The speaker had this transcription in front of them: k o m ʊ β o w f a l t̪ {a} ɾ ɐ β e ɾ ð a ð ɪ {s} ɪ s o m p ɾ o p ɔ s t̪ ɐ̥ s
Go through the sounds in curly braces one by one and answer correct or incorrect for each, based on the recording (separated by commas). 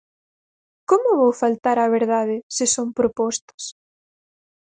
correct, correct